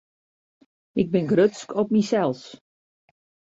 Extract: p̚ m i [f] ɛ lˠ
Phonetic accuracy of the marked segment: incorrect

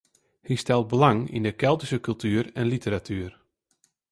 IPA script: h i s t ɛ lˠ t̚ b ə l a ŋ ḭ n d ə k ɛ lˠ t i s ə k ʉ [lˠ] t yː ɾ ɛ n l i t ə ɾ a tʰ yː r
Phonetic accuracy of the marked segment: correct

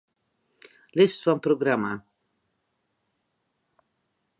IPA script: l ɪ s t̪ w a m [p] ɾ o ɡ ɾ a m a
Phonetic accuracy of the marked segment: correct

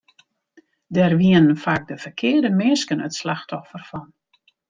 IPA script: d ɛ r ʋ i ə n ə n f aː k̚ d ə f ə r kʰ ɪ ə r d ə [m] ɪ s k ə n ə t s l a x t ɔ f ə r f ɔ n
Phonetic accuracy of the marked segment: correct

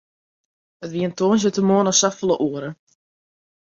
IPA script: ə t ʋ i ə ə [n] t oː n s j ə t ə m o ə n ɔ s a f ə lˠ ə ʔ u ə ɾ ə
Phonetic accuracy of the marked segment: correct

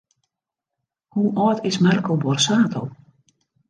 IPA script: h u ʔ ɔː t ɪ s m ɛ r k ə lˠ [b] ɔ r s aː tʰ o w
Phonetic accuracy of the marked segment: correct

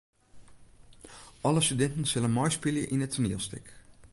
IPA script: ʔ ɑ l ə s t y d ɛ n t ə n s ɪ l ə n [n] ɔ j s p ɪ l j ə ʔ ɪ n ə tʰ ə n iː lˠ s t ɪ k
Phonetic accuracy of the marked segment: incorrect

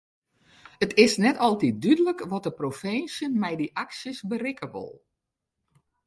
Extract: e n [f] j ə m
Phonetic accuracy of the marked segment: incorrect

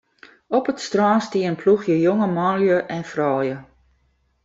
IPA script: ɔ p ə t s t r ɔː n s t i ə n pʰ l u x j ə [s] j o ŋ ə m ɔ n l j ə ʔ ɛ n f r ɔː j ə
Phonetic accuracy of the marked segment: incorrect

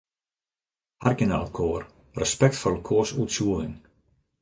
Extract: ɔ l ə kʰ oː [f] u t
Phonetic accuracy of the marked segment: incorrect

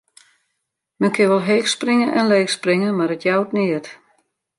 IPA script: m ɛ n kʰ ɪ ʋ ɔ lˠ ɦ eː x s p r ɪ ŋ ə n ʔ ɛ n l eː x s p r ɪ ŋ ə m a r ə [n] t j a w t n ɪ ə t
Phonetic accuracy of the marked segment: incorrect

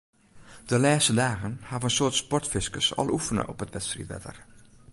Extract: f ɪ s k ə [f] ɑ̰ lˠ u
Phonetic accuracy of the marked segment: incorrect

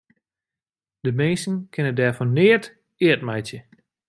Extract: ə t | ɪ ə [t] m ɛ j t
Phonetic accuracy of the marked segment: correct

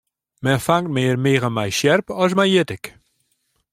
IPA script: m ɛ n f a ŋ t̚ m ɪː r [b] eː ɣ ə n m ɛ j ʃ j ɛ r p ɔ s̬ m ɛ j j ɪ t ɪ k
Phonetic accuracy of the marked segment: incorrect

